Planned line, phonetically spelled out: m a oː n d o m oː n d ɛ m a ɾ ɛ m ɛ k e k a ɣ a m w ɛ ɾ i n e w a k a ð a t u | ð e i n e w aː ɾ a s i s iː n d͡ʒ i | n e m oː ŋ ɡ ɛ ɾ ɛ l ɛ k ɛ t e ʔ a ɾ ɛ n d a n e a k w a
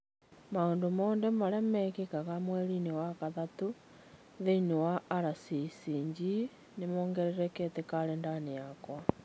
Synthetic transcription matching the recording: m a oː n d o m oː n d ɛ m a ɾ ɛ m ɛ k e k a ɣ a m w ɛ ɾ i n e w a k a ð a t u | ð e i n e w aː ɾ a s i s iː ɲ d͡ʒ i | n e m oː ŋ ɡ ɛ ɾ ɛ ɾ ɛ k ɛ t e k a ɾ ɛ n d a n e a k w a